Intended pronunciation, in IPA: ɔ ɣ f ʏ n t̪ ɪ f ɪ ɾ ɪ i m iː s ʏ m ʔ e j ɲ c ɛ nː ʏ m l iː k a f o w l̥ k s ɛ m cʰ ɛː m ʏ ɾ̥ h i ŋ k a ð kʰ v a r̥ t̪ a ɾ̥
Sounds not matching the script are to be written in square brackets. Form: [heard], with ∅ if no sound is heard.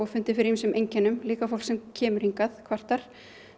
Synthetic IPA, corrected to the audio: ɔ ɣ f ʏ n t̪ ɪ f ɪ ɾ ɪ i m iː s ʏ m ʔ e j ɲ c ɛ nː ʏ m l iː k a f o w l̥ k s ɛ m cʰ ɛː m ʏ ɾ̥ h i ŋ k a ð kʰ v a r̥ t̪ a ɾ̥